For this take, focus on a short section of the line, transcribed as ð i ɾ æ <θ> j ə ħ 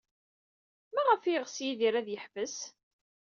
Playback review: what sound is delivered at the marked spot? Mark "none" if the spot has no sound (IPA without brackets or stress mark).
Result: ð